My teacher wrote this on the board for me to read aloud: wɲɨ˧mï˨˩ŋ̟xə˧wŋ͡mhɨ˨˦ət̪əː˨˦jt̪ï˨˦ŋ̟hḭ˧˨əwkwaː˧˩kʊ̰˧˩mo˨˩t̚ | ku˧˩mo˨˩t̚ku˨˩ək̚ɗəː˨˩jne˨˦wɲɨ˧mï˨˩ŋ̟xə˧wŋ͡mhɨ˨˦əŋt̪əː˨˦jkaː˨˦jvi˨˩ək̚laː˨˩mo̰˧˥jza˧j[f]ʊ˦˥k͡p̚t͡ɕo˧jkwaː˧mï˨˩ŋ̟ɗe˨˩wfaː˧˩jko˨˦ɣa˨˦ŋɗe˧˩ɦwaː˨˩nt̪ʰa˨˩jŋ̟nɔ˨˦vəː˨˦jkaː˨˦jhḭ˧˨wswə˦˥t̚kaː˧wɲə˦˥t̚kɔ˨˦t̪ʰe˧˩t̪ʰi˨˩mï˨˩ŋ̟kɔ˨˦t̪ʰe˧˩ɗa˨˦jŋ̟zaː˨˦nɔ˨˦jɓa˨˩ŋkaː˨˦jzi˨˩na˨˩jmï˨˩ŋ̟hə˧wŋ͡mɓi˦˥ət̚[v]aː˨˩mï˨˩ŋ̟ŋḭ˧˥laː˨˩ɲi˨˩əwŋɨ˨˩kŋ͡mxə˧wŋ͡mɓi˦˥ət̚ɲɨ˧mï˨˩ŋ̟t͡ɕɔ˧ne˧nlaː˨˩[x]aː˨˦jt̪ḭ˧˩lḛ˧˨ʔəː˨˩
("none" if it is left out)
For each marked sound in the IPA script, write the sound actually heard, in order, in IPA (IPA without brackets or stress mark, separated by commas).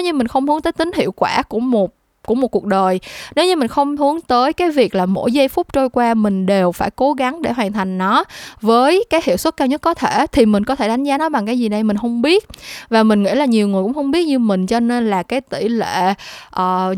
f, v, k